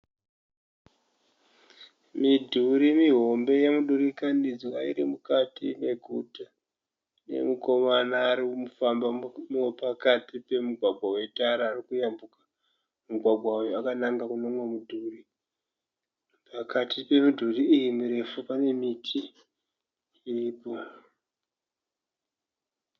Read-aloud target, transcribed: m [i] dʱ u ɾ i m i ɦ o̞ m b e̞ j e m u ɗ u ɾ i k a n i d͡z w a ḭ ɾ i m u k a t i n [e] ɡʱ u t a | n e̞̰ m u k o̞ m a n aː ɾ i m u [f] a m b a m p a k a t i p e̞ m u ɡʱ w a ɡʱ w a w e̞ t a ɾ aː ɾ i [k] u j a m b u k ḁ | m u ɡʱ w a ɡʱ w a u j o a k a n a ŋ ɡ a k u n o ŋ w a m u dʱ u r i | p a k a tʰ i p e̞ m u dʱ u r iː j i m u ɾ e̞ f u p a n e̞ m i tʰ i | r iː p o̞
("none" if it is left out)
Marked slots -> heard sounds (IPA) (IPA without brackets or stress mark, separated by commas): i, e, f, k